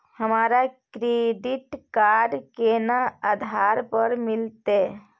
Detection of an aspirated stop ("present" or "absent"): absent